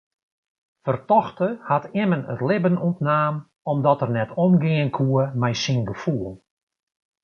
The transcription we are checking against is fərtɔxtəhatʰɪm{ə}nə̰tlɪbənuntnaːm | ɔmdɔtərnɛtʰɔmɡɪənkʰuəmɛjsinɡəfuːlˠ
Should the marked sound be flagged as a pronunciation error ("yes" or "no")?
no